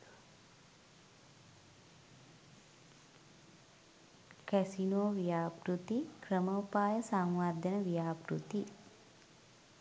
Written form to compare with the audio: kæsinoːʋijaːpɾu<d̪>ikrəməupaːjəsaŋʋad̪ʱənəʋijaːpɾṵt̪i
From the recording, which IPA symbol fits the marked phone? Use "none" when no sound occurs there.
t̪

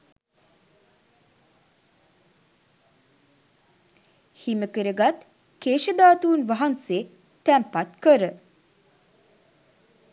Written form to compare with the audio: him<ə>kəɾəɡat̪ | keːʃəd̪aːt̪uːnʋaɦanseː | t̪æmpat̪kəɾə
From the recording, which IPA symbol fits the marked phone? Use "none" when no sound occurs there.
ə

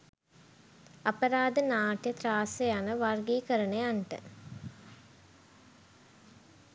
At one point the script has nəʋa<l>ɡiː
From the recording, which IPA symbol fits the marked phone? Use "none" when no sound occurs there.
r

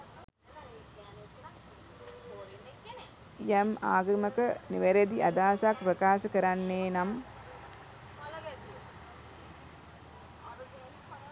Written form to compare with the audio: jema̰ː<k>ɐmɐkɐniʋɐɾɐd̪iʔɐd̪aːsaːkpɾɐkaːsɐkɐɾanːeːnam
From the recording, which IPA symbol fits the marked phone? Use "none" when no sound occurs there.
ɡ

